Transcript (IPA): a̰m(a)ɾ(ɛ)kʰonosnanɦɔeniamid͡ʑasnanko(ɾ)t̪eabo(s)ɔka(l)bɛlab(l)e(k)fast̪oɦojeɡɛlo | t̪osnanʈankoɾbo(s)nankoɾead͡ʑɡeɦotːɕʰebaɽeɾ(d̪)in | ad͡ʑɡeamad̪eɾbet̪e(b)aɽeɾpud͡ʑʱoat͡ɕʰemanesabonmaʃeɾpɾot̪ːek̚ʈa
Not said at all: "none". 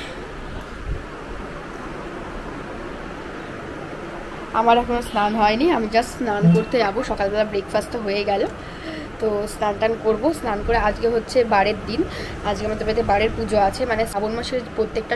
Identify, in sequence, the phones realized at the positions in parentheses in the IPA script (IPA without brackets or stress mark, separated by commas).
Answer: a, ɛ, ɾ, ʃ, l, ɾ, k, s, d̪, b